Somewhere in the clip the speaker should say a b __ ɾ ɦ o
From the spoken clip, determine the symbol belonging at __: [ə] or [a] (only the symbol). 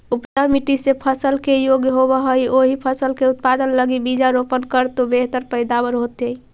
ə